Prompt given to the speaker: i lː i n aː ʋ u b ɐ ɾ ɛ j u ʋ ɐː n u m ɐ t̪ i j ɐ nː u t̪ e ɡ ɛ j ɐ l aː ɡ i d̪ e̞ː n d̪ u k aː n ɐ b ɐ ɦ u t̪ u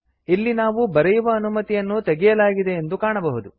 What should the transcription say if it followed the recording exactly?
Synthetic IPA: i lː i n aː ʋ u b ɐ ɾ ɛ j u ʋ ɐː n u m ɐ t̪ i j ɐ nː u t̪ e ɡ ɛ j ɐ l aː ɡ i d̪ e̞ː n d̪ u k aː ɳ ɐ b ɐ ɦ u d̪ u

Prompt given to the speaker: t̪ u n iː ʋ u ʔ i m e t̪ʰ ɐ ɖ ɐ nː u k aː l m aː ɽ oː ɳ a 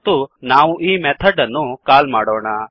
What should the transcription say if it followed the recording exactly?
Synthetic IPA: t̪ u n aː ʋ u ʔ iː m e t̪ʰ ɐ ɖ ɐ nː u k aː l m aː ɽ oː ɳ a

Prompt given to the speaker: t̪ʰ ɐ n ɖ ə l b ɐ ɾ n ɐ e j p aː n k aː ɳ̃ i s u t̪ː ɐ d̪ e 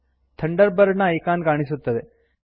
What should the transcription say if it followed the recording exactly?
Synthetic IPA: t̪ʰ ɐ ɳ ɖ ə ɾ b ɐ ɾ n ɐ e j k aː n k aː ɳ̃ i s u t̪ː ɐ d̪ e

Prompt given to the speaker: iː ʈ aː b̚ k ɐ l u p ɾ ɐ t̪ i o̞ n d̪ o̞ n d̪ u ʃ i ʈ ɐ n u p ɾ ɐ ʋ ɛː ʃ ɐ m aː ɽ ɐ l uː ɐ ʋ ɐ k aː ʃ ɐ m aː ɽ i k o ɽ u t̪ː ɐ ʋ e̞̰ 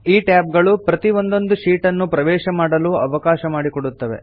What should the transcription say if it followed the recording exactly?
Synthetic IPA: iː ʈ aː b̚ ɡ ɐ ɭ u p ɾ ɐ t̪ i o̞ n d̪ o̞ n d̪ u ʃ iː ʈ ɐ nː u p ɾ ɐ ʋ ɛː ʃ ɐ m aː ɽ ɐ l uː ɐ ʋ ɐ k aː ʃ ɐ m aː ɽ i k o ɽ u t̪ː ɐ ʋ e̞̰

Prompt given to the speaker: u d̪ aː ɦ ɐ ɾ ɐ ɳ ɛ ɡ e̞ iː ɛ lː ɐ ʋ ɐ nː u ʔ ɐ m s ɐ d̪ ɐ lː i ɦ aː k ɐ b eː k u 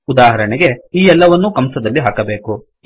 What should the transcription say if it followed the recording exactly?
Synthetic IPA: u d̪ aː ɦ ɐ ɾ ɐ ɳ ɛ ɡ e̞ iː ɛ lː ɐ ʋ ɐ nː u k ɐ m s ɐ d̪ ɐ lː i ɦ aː k ɐ b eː k u

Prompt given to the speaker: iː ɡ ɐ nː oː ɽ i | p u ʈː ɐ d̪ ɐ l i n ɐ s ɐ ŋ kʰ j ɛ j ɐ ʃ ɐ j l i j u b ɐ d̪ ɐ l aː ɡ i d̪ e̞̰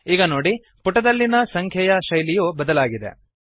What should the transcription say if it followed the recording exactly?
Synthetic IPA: iː ɡ ɐ n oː ɽ i | p u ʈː ɐ d̪ ɐ lː i n ɐ s ɐ ŋ kʰ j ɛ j ɐ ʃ ɐ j l i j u b ɐ d̪ ɐ l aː ɡ i d̪ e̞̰

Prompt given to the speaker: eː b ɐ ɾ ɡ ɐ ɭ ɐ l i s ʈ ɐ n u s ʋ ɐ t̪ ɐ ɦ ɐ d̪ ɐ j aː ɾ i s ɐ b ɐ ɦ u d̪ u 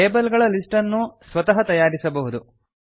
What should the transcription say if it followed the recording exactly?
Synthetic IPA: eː b ɐ l ɡ ɐ ɭ ɐ l i s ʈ ɐ nː u s ʋ ɐ t̪ ɐ ɦ ɐ t̪ ɐ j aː ɾ i s ɐ b ɐ ɦ u d̪ u

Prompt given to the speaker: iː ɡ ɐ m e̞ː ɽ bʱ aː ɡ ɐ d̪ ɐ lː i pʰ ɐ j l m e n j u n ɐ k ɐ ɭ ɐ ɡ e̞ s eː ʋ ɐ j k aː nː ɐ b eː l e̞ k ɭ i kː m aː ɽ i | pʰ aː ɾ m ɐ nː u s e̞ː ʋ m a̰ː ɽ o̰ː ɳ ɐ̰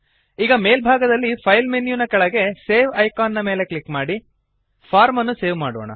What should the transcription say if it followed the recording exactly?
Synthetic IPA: iː ɡ ɐ m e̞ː l bʱ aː ɡ ɐ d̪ ɐ lː i pʰ ɐ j l m e n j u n ɐ k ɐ ɭ ɐ ɡ e̞ s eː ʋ ɐ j k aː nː ɐ m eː l e̞ k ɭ i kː m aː ɽ i | pʰ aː ɾ m ɐ nː u s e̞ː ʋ m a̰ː ɽ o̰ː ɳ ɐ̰

